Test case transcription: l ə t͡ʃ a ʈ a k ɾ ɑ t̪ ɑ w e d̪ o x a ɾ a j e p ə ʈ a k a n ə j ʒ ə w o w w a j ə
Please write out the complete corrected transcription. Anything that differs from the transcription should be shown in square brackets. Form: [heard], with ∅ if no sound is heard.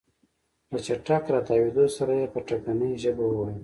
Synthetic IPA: l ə t͡ʃ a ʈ a k ɾ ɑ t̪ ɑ w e d̪ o [s] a ɾ a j e p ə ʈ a k a n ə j ʒ ə [b] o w w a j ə